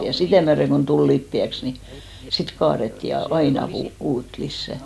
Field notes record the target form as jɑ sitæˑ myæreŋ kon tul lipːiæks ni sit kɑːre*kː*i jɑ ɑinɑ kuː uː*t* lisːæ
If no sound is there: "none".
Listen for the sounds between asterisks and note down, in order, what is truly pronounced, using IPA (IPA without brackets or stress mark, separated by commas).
tː, t